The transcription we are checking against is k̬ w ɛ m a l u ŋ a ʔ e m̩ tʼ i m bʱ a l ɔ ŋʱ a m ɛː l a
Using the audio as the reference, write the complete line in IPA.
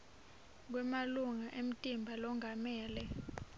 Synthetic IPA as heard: k̬ w ɛ m a l u ŋ a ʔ e m̩ tʼ i m bʱ a l ɔ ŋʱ a m ɛː l ɛ